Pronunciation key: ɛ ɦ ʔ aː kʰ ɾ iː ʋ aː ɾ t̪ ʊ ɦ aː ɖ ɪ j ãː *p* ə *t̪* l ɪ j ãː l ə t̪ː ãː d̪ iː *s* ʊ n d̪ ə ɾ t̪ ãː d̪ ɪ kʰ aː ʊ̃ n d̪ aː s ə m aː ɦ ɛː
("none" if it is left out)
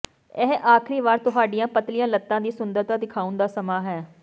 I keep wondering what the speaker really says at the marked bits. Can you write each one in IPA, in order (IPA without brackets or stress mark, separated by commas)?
p, t̪, s